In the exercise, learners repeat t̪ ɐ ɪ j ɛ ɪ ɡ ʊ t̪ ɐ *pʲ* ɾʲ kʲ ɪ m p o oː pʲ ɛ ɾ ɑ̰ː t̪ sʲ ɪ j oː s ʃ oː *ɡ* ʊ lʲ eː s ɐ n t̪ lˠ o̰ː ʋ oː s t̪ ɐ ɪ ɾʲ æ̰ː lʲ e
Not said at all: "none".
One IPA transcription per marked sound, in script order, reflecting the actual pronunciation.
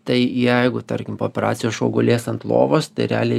none, ɡ

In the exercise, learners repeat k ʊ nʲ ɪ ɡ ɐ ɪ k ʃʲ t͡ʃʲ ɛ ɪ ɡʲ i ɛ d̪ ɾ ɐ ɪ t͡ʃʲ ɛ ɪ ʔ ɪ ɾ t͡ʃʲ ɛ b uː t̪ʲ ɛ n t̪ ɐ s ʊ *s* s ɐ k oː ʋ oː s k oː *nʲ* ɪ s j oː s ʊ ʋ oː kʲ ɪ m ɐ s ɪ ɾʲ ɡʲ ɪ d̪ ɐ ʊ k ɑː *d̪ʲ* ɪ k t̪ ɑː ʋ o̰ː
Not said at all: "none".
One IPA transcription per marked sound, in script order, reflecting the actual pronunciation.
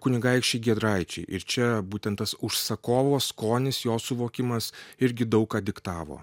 ʃ, nʲ, d̪ʲ

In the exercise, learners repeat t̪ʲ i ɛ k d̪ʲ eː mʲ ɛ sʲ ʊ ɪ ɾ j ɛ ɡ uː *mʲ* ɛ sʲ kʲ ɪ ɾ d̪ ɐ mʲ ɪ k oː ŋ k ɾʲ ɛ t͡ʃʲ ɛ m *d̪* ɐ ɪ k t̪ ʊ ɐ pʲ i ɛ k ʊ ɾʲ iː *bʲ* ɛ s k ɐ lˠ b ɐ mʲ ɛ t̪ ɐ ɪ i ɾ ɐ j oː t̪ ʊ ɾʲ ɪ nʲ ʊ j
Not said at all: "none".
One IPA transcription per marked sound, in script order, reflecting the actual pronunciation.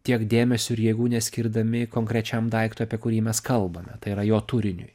nʲ, d̪, mʲ

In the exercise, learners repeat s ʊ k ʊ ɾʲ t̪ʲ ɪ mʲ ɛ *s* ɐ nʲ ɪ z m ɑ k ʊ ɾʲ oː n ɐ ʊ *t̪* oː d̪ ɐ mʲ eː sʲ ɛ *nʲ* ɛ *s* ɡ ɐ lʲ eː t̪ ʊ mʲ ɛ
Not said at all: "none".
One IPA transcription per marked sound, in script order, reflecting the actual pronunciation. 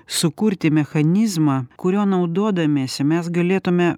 x, d̪, mʲ, s

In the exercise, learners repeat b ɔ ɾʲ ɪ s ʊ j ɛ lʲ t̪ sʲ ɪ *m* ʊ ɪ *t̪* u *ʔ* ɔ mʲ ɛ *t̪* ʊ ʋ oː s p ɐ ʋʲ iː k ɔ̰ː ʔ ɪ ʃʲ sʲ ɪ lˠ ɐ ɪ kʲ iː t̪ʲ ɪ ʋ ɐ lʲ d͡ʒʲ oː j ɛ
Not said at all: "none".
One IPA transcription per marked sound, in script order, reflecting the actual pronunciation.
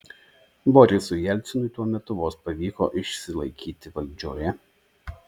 n, t̪, none, t̪

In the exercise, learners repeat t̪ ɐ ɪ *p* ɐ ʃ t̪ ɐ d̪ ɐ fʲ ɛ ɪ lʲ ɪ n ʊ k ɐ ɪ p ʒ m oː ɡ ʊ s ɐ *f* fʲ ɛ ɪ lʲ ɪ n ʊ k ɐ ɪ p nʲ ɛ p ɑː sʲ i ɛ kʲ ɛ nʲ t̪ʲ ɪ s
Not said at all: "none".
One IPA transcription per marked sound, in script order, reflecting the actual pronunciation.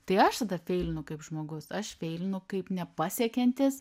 none, ʃ

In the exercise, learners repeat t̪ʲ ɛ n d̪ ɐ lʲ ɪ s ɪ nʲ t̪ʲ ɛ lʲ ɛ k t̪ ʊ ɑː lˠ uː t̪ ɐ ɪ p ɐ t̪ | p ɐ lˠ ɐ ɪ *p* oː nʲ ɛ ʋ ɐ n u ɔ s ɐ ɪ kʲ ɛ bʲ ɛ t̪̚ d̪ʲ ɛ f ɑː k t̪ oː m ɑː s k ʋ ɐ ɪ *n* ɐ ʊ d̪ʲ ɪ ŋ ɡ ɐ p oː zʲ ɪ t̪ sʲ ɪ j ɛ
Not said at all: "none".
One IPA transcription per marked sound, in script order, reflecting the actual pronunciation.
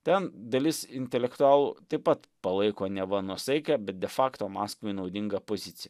k, n

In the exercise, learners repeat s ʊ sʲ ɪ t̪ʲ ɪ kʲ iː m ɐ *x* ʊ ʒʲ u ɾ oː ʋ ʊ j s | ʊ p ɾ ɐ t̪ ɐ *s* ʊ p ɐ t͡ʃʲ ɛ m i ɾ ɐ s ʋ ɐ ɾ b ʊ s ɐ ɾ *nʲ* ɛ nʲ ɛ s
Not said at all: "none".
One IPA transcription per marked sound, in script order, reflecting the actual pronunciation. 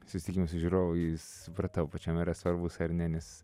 s, none, nʲ

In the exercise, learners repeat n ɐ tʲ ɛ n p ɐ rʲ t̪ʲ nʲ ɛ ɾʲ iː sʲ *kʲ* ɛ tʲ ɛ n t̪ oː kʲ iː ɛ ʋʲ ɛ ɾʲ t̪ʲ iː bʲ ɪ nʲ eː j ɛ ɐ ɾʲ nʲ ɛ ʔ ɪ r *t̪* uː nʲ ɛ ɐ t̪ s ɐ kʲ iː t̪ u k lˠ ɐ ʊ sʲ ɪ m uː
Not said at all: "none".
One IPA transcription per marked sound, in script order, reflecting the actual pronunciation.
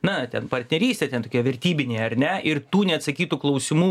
tʲ, t̪

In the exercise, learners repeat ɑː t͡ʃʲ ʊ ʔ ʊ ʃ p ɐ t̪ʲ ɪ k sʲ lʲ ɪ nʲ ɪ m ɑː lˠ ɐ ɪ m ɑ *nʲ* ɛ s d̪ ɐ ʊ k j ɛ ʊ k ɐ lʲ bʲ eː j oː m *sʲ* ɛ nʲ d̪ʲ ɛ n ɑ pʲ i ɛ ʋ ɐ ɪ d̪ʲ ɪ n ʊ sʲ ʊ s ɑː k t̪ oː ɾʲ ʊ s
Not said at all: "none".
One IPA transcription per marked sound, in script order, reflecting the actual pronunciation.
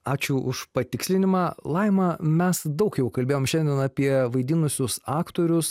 mʲ, ʃʲ

